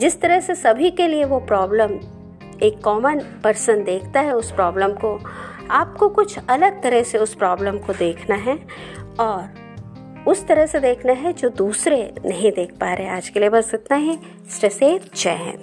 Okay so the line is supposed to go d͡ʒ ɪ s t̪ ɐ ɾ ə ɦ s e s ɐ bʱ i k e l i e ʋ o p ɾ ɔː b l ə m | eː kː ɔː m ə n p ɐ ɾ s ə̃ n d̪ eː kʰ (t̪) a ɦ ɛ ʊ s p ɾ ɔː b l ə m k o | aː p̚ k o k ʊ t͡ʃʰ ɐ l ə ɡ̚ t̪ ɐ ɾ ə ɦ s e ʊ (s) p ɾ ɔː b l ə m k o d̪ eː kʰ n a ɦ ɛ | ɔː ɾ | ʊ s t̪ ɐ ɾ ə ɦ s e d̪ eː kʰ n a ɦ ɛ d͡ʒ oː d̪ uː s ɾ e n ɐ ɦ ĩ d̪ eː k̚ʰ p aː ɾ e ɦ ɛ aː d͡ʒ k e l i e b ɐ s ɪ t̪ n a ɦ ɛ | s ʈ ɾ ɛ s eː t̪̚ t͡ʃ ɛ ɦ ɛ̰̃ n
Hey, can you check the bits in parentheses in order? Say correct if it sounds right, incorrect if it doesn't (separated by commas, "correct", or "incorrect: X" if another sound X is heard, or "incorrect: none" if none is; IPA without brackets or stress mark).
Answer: correct, correct